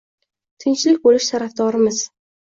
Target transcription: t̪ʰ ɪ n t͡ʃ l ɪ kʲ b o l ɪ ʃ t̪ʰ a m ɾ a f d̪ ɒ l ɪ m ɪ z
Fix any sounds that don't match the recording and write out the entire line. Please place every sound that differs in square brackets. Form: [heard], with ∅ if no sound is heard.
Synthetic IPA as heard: t̪ʰ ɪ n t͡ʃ l ɪ kʲ b o l ɪ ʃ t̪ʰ a [∅] ɾ a f d̪ ɒ [ɾ] ɪ m ɪ z